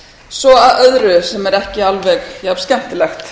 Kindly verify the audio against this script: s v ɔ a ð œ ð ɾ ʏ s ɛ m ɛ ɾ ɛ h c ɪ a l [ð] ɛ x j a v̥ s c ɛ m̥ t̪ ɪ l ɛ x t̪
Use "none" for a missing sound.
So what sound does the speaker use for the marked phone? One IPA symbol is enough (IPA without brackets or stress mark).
v